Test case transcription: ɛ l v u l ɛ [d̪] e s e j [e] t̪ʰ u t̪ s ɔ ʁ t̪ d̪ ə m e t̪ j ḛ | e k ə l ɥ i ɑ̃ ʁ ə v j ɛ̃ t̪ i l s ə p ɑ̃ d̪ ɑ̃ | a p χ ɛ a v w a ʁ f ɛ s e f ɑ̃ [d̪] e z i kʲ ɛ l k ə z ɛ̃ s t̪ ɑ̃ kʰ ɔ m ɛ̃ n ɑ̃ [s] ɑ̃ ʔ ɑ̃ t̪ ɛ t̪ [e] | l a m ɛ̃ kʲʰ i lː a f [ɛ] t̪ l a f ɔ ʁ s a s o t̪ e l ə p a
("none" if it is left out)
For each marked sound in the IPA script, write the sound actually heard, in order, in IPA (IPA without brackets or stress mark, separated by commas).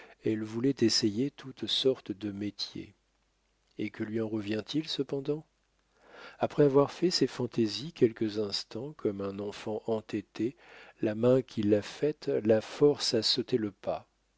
t̪, e, t̪, f, e, ɛ